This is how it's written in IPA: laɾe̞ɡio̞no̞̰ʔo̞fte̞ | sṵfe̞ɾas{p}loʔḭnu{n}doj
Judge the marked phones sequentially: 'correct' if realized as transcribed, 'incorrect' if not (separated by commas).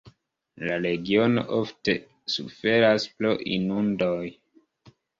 correct, correct